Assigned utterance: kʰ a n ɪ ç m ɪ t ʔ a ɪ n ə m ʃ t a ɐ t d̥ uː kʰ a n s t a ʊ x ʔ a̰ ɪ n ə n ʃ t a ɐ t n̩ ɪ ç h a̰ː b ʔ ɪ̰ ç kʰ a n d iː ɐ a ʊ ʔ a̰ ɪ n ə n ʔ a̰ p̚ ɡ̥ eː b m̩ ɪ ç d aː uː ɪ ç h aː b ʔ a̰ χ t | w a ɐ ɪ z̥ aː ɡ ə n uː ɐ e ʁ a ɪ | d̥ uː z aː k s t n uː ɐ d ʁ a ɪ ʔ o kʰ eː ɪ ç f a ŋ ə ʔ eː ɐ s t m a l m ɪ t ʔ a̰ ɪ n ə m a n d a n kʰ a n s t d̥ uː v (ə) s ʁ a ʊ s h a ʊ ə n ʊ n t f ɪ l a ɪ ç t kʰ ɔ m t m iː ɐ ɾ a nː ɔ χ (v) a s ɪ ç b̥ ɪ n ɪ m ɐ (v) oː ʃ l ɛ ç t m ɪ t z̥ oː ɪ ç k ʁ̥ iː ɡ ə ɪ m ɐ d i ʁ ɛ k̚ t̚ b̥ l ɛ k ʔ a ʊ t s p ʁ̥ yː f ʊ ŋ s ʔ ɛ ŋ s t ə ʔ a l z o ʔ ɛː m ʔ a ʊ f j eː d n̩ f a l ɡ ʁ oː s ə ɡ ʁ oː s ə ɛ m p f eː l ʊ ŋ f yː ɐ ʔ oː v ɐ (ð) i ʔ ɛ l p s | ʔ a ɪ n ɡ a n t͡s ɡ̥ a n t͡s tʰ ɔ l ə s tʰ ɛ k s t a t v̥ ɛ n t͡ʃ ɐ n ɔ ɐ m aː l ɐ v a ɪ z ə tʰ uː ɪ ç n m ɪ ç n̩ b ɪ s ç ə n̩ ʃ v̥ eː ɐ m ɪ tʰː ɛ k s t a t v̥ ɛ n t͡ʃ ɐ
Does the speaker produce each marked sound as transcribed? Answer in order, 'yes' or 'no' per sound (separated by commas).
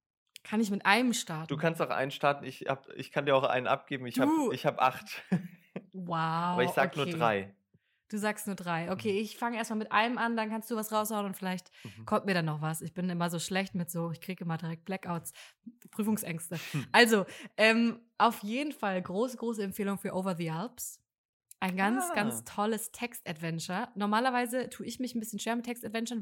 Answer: no, yes, no, yes